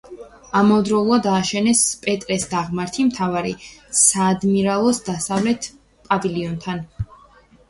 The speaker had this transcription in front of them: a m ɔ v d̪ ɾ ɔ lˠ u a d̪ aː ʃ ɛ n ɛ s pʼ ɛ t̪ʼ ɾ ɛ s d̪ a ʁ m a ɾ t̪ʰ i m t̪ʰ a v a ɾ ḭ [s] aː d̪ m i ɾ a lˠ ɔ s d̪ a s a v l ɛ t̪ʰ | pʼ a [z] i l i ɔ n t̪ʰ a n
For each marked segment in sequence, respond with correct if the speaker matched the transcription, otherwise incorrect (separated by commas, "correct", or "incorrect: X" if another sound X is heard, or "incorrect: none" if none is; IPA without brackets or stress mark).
correct, incorrect: v